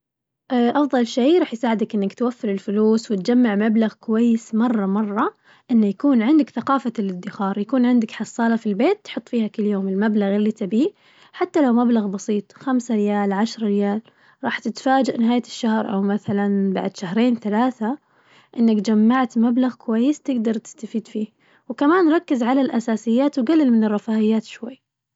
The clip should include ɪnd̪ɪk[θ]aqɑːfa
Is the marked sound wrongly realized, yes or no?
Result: no